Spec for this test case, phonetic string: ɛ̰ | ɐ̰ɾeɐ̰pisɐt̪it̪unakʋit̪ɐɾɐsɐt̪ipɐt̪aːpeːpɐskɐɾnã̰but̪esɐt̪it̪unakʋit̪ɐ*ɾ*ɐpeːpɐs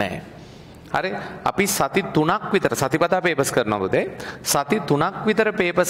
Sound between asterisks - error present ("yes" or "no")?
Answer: no